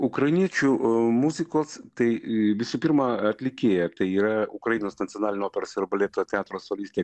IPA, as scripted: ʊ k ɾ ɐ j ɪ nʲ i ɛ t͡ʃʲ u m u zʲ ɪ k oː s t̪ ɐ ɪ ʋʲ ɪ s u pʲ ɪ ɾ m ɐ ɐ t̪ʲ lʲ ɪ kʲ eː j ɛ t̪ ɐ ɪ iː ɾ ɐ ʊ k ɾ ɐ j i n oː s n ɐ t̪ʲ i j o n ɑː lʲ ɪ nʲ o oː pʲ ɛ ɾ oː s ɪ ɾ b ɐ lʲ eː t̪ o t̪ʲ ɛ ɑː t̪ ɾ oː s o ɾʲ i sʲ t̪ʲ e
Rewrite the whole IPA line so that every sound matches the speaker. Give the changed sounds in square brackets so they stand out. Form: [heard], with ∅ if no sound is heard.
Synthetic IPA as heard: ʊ k ɾ ɐ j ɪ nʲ i ɛ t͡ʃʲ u m u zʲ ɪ k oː s t̪ ɐ ɪ ʋʲ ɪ s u pʲ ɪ ɾ m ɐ ɐ t̪ʲ lʲ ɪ kʲ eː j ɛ t̪ ɐ ɪ iː ɾ ɐ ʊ k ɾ ɐ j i n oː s n ɐ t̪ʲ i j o n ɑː lʲ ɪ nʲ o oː pʲ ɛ ɾ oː s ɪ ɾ b ɐ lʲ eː t̪ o t̪ʲ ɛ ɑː t̪ ɾ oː s o [lʲ] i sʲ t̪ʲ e